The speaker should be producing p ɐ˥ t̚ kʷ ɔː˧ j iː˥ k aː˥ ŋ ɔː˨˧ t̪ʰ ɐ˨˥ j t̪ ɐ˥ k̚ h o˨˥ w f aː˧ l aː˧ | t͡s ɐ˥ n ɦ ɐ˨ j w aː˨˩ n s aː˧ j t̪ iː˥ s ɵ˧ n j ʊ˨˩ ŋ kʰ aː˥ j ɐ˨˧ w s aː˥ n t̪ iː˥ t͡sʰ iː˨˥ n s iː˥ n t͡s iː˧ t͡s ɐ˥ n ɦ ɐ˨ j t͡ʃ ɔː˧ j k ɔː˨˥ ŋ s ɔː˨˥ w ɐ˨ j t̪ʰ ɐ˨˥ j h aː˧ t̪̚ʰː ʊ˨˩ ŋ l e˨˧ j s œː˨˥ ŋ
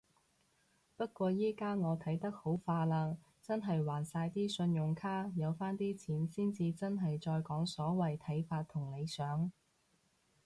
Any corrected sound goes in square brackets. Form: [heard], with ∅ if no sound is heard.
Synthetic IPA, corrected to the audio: p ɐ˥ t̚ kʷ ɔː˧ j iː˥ k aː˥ ŋ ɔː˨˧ t̪ʰ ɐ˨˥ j t̪ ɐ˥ k̚ h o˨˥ w f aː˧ l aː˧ | t͡s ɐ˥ n ɦ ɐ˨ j w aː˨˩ n s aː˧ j t̪ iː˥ s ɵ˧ n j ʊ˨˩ ŋ kʰ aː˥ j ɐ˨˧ w [f] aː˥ n t̪ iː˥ t͡sʰ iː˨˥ n s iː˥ n t͡s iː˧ t͡s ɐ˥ n ɦ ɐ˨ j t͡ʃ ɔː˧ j k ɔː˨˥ ŋ s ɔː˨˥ w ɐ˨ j t̪ʰ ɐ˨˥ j [f] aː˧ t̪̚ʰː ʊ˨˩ ŋ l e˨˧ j s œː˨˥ ŋ